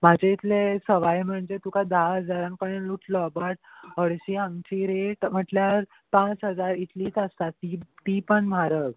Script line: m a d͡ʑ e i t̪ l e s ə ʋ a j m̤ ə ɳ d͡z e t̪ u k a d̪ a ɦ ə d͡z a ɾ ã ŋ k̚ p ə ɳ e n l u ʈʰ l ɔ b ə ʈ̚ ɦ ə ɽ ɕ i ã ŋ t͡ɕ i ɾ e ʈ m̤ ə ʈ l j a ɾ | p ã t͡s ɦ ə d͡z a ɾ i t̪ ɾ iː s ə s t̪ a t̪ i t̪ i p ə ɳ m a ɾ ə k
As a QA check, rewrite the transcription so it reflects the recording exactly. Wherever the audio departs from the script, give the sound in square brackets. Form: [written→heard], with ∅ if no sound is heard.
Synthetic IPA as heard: m a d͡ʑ e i t̪ l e s ə ʋ a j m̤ ə ɳ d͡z e t̪ u k a d̪ a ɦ ə d͡z a ɾ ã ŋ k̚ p ə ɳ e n l u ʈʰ l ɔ b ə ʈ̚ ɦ ə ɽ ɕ i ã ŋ t͡ɕ i ɾ e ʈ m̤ ə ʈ l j a ɾ | p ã t͡s ɦ ə d͡z a ɾ i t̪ [ɾ→l] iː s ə s t̪ a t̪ i t̪ i p ə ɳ m a ɾ ə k